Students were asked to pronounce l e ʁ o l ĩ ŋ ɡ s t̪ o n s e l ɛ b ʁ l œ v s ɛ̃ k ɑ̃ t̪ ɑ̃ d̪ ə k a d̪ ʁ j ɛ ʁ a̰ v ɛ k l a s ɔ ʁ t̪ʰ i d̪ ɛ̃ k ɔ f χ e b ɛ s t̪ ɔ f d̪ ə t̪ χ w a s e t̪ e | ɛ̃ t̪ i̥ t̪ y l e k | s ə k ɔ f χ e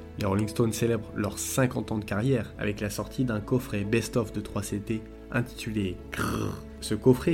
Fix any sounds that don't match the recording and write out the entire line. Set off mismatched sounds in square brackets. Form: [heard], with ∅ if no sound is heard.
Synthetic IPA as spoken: l e ʁ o l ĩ ŋ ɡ s t̪ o n s e l ɛ b ʁ l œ [ʁ] s ɛ̃ k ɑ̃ t̪ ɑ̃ d̪ ə k a [∅] ʁ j ɛ ʁ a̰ v ɛ k l a s ɔ ʁ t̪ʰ i d̪ ɛ̃ k ɔ f χ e b ɛ s t̪ ɔ f d̪ ə t̪ χ w a s e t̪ e | ɛ̃ t̪ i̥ t̪ y l e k | s ə k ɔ f χ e